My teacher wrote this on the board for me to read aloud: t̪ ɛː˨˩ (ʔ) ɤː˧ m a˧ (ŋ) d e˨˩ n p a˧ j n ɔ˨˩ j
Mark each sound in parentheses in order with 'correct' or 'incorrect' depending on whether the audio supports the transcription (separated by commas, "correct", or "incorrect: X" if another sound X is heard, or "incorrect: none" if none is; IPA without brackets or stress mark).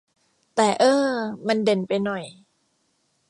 correct, incorrect: n